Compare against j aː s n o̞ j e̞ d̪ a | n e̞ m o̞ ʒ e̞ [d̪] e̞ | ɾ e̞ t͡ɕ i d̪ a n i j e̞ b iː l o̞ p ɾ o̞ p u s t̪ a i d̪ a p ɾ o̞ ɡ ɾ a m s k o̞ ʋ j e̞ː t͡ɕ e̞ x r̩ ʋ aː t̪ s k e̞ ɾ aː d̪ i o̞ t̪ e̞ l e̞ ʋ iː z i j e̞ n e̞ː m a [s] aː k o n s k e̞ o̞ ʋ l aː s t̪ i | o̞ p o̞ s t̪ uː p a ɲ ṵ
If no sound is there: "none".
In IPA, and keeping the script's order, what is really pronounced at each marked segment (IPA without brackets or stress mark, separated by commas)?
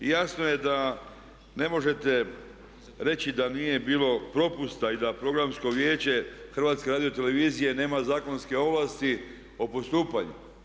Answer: t̪, z